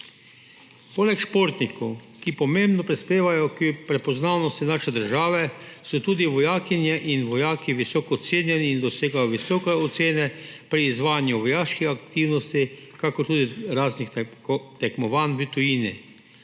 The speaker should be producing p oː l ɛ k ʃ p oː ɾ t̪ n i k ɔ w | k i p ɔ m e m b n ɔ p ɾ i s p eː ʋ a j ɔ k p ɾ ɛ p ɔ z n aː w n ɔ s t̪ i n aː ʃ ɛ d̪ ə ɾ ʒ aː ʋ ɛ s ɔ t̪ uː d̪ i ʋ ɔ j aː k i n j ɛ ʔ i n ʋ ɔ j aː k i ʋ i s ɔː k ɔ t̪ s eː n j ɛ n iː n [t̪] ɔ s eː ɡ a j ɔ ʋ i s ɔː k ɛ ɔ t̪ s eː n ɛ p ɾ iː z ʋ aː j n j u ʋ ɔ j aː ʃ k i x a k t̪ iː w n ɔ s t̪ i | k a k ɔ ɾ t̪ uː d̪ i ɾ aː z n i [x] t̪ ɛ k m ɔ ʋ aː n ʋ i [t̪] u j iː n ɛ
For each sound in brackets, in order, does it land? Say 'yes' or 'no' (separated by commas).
no, yes, yes